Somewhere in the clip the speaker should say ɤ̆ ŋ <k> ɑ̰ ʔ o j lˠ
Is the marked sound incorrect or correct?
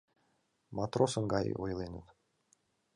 incorrect